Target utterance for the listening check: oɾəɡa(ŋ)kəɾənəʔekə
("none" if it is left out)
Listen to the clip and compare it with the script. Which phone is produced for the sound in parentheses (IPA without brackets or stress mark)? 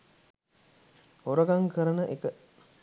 ŋ